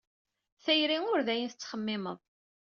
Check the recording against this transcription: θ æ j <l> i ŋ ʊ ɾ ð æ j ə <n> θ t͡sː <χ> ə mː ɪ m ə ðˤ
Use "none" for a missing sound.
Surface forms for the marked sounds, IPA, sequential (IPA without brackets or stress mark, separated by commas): ɾ, n, χ